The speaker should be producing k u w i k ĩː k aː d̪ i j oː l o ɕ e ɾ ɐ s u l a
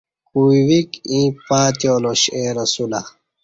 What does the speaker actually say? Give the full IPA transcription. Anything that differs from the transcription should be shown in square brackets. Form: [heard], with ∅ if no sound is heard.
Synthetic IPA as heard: k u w i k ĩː [p] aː [t̪] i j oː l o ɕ e ɾ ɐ s u l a